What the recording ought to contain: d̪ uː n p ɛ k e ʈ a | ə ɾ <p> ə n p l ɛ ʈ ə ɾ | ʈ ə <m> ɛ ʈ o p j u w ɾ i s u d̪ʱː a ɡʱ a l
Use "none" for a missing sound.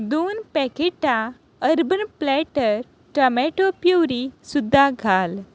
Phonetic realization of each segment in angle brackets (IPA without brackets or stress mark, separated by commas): b, m